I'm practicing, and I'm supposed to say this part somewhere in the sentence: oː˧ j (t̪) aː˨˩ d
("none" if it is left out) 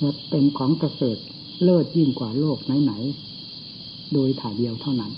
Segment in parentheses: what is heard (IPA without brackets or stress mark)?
t̪ʰ